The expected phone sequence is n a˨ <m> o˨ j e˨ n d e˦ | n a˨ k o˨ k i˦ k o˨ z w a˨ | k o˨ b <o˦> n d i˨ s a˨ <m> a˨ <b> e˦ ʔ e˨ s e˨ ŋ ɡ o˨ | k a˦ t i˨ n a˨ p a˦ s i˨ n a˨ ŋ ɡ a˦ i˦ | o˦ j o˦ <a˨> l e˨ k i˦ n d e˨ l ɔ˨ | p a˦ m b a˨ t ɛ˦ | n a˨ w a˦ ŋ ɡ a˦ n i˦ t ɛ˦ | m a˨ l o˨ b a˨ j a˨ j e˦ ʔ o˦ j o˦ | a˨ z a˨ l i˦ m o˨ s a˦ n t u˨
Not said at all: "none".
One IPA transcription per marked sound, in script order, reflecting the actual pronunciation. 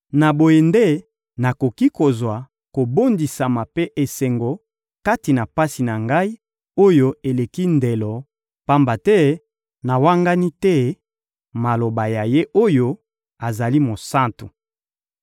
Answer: b, o˦, m, p, e˨

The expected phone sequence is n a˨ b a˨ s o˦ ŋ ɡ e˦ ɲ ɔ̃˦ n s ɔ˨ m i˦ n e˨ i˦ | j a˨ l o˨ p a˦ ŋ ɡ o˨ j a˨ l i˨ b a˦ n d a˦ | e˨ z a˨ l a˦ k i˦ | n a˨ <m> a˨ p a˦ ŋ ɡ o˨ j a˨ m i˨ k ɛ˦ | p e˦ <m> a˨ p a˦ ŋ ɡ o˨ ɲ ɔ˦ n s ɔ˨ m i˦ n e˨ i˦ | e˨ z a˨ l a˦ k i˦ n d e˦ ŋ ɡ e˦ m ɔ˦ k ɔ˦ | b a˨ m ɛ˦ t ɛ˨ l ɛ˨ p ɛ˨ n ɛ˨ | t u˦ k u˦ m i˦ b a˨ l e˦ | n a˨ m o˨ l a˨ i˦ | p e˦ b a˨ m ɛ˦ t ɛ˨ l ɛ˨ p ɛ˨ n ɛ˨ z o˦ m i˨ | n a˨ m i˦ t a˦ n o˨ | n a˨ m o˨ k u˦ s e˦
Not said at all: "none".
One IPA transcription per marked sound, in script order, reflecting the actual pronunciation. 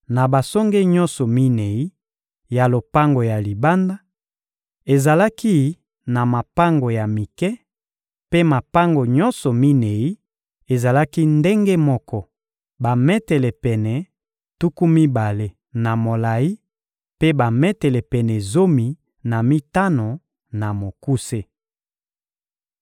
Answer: m, m

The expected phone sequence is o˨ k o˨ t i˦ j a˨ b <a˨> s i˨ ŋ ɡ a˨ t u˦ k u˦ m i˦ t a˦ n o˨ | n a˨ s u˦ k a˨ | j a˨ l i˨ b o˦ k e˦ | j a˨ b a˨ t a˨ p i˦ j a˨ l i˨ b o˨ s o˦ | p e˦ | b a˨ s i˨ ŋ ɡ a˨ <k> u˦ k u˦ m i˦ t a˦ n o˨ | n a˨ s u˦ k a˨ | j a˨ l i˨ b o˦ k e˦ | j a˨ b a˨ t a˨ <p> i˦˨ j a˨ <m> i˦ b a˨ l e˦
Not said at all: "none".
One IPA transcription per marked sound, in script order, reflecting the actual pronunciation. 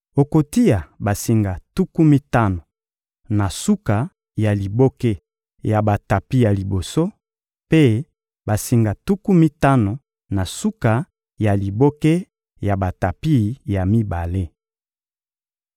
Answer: a˨, t, p, m

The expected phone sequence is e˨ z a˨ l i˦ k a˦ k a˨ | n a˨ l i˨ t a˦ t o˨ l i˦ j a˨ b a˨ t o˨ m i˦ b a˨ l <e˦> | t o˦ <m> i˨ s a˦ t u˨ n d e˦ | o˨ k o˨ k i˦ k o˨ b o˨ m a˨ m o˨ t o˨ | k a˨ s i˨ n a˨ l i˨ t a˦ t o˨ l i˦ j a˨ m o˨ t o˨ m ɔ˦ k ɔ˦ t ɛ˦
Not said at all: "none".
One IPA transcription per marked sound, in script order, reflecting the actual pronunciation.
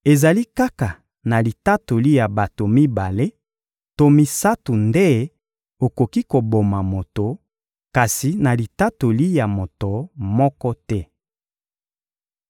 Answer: e˦, m

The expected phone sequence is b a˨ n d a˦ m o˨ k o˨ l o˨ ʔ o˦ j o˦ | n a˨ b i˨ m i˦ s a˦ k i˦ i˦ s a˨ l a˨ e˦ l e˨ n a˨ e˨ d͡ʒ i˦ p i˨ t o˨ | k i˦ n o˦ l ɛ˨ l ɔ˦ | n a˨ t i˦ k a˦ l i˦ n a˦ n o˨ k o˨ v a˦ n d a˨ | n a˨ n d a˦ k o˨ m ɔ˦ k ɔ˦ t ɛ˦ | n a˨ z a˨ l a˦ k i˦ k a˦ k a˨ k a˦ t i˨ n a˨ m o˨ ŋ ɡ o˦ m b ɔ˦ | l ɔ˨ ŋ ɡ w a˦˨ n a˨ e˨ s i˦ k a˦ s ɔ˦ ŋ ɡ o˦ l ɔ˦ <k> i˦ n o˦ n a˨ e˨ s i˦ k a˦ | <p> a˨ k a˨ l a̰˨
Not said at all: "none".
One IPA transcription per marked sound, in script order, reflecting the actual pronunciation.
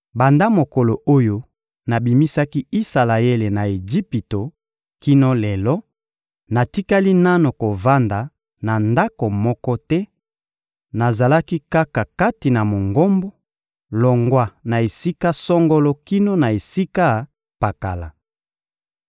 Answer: k, p

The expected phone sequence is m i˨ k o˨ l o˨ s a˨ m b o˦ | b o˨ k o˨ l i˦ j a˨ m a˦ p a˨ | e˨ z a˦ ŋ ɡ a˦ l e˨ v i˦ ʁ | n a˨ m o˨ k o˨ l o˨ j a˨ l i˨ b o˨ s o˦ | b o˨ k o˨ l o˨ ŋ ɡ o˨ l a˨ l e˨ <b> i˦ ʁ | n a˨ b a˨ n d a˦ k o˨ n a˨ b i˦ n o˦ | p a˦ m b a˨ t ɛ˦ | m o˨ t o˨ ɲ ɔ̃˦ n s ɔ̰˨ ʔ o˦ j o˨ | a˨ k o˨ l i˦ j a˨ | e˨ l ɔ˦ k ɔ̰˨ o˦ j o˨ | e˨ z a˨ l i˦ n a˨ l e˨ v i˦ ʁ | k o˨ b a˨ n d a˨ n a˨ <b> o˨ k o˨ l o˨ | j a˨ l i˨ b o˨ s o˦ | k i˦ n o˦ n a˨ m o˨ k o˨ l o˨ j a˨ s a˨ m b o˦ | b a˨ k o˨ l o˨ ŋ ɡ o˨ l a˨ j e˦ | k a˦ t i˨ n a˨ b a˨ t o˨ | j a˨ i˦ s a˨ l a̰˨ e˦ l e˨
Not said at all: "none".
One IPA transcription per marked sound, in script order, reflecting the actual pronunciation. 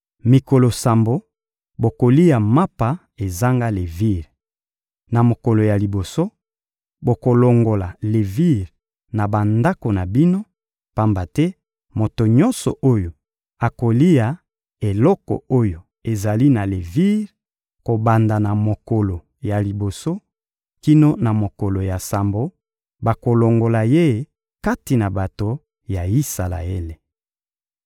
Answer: v, m

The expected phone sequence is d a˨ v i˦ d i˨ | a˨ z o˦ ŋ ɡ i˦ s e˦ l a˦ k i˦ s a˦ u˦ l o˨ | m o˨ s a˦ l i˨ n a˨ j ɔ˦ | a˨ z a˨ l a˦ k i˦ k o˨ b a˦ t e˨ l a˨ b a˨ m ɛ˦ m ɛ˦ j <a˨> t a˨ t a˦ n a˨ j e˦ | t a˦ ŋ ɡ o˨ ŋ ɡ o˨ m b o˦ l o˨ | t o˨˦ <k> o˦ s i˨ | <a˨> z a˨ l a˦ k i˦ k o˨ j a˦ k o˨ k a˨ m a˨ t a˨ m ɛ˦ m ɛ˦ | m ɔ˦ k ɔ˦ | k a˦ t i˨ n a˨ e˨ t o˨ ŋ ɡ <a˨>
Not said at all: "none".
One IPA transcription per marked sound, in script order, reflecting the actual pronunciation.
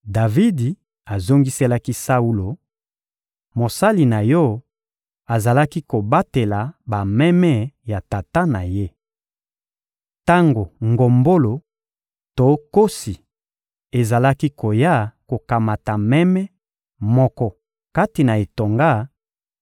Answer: a˨, k, e˨, a˦

